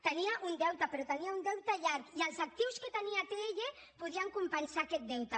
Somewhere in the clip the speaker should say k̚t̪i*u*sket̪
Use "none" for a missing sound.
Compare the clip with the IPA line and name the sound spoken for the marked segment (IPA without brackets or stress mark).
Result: w